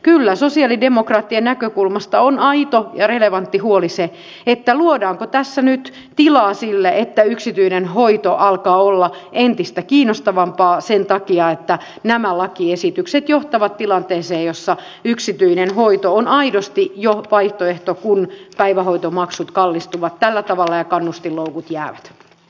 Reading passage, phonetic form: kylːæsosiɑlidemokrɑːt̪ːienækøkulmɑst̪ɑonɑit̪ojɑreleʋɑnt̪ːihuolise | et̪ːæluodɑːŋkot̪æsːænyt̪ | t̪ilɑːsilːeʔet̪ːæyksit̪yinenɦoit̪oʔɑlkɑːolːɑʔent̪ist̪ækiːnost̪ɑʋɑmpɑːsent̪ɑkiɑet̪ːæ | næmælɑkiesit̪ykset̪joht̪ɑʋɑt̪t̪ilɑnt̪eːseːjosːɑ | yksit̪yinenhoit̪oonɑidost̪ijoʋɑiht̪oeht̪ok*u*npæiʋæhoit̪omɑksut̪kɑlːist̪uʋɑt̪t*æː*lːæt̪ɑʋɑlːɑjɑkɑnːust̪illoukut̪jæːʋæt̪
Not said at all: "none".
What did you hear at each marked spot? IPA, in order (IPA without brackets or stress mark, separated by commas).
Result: u, æ